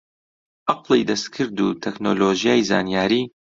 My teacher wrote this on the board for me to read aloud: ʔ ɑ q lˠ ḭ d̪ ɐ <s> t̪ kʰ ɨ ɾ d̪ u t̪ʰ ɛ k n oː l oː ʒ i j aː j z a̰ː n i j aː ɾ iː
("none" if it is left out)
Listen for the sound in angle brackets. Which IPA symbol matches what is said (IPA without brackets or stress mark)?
s